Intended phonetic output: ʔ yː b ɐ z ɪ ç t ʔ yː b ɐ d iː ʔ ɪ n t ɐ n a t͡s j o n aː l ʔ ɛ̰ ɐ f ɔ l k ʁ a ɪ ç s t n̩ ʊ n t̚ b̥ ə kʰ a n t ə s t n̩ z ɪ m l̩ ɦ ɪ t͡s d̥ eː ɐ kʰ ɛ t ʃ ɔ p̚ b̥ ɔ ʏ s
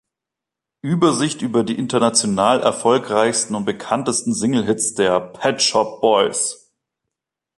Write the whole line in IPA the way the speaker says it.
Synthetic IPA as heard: ʔ yː b ɐ z ɪ ç t ʔ yː b ɐ d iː ʔ ɪ n t ɐ n a t͡s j o n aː l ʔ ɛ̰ ɐ f ɔ l k ʁ a ɪ ç s t n̩ ʊ n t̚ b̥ ə kʰ a n t ə s t n̩ z ɪ ŋ l̩ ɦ ɪ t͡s d̥ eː ɐ pʰ ɛ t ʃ ɔ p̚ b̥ ɔ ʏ s